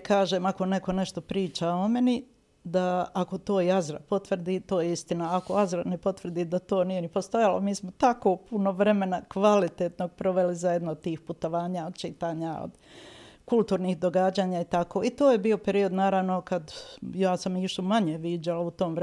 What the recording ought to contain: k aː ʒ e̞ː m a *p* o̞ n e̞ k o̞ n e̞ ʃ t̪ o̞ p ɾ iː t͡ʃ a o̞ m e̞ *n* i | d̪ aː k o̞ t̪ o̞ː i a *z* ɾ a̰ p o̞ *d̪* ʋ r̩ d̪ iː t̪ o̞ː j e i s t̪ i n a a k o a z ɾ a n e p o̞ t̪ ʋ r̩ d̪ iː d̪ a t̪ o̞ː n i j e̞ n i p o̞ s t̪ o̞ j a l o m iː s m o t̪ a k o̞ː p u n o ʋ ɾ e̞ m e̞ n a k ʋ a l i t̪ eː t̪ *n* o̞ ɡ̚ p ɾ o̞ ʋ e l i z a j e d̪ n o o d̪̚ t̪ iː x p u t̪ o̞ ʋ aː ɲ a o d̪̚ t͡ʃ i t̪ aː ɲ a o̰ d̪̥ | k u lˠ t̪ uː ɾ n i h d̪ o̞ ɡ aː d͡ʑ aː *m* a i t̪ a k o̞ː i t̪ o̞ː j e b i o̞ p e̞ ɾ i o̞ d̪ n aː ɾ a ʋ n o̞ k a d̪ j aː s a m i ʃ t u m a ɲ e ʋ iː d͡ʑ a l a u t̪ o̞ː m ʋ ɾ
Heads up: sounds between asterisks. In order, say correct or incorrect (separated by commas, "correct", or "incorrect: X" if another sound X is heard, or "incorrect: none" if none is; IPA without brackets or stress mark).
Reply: incorrect: k, correct, correct, incorrect: t̪, correct, incorrect: ɲ